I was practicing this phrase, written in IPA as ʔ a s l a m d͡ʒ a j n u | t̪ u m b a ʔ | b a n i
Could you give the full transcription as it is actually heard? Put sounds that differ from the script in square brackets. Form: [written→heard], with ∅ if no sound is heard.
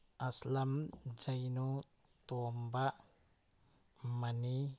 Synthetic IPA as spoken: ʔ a s l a m d͡ʒ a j n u | t̪ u m b a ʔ | [b→m] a n i